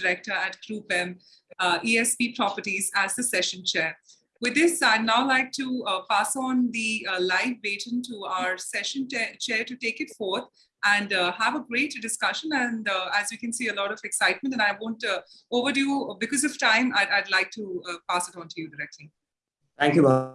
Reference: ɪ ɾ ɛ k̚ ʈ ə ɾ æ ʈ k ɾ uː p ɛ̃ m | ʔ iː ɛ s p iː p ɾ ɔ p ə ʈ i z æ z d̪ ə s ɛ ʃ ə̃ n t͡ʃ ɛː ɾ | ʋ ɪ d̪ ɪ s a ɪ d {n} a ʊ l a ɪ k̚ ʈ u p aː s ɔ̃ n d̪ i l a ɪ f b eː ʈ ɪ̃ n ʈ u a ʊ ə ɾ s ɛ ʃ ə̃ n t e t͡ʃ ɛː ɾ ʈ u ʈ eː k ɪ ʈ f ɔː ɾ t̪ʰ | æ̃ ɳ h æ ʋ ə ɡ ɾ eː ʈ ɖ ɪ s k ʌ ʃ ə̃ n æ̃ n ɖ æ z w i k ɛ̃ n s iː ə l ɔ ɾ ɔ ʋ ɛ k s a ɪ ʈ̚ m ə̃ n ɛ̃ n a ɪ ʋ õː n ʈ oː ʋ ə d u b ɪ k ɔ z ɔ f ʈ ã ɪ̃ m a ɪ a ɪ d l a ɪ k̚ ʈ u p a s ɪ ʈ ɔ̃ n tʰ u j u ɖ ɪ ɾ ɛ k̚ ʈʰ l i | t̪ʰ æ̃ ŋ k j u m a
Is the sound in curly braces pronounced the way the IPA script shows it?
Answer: yes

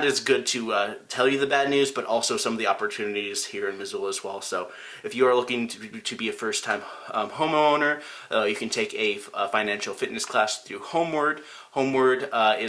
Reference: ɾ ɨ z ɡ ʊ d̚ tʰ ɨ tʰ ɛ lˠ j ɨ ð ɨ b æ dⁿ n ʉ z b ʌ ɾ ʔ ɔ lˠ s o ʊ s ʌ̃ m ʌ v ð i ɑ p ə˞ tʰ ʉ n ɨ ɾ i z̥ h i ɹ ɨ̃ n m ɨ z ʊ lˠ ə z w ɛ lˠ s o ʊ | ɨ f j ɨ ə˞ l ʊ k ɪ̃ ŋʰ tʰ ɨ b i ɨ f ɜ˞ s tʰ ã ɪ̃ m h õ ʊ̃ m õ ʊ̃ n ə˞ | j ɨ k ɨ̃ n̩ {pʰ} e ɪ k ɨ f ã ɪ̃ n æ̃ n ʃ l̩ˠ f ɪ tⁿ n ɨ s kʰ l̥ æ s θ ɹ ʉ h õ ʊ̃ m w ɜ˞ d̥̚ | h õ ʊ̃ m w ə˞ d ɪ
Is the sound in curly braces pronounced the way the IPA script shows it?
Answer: no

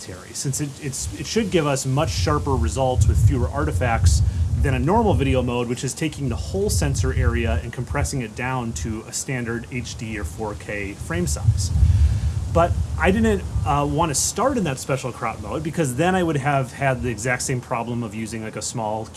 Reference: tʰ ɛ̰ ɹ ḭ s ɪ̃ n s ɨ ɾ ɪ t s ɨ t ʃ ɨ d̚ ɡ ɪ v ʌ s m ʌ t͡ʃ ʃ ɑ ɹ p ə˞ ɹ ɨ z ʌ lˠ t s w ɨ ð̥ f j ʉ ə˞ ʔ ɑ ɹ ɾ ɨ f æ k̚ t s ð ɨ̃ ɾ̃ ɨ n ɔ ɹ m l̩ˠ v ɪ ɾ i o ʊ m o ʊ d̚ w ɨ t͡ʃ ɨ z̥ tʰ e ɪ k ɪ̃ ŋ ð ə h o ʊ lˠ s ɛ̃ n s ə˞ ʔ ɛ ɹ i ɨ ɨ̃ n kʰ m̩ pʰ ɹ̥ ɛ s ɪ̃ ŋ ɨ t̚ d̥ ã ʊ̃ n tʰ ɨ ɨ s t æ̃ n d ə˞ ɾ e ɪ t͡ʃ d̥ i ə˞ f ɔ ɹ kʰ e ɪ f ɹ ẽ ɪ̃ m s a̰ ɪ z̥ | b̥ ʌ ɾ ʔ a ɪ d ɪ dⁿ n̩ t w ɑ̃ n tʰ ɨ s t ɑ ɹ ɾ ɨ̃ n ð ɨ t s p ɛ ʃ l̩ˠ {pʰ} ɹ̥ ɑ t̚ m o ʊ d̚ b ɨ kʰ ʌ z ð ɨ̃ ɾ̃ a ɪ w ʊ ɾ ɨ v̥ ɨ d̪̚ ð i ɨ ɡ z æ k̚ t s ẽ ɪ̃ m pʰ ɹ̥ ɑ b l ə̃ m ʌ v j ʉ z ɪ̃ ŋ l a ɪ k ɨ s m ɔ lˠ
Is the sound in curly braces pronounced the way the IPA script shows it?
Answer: no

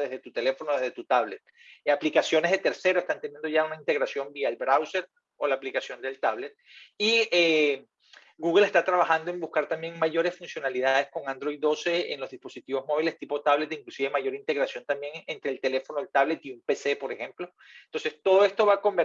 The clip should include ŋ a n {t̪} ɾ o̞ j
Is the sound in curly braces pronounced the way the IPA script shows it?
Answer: no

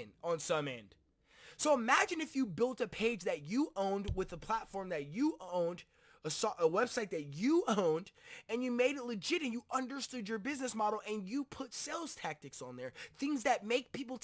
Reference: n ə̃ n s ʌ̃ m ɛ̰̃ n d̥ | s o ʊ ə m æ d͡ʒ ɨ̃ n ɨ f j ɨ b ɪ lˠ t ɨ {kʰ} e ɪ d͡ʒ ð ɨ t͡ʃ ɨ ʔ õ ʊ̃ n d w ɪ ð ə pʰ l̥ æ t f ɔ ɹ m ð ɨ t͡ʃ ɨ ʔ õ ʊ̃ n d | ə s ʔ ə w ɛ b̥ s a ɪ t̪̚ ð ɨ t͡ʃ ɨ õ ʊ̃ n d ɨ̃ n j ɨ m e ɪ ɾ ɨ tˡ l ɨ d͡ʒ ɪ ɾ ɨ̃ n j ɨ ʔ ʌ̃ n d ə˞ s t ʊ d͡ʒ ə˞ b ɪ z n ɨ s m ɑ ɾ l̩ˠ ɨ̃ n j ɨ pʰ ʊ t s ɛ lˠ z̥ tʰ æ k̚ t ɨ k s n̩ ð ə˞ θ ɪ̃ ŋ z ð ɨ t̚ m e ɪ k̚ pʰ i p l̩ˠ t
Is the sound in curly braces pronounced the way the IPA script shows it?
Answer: no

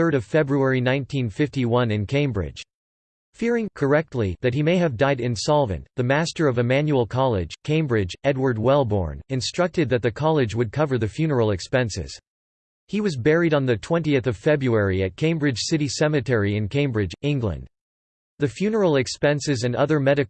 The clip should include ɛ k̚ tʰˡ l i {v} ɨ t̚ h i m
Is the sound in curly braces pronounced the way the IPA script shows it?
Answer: no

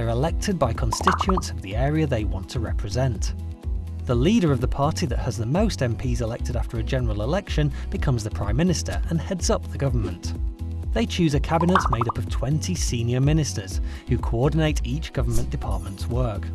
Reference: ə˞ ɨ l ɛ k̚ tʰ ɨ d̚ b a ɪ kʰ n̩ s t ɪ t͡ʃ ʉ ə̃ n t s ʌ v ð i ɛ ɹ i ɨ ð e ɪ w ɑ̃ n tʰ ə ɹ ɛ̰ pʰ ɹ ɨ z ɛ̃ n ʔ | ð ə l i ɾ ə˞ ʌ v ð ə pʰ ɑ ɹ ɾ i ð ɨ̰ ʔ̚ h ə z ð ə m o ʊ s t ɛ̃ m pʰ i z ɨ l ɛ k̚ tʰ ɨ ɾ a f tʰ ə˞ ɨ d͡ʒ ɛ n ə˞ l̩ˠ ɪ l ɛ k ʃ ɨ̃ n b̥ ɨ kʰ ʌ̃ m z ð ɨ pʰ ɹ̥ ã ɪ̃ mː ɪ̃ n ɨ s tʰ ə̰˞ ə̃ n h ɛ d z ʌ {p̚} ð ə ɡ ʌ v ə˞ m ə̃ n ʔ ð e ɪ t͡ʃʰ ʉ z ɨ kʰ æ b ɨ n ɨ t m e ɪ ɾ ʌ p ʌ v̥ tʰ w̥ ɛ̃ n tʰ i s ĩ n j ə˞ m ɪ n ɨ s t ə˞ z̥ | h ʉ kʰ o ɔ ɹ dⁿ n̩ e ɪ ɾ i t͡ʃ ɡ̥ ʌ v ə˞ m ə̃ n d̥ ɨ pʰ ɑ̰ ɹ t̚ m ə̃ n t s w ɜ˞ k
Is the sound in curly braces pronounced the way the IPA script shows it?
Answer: yes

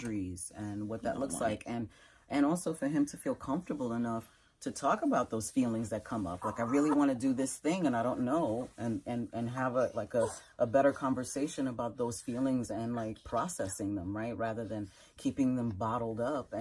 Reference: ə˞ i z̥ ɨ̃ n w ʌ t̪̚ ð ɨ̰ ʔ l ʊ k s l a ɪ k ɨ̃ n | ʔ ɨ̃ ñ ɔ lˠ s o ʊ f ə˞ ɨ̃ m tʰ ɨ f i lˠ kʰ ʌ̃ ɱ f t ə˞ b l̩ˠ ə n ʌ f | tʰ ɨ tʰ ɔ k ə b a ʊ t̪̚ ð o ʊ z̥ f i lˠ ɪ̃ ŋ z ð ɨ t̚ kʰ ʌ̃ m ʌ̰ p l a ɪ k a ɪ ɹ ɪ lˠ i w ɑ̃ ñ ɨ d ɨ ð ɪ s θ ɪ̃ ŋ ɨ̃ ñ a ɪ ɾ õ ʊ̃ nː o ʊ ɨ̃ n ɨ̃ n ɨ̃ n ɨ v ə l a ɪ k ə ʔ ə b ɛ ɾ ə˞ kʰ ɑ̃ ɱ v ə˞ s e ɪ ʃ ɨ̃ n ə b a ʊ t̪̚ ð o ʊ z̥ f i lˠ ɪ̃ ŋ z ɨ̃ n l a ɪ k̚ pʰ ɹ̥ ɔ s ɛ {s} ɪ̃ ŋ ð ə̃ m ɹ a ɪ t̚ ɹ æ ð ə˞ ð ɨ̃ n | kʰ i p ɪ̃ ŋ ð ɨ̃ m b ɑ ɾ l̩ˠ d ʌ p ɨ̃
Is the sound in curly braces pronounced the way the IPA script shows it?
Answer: yes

